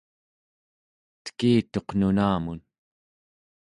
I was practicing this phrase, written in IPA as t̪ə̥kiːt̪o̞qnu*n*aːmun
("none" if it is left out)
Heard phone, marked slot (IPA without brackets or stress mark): n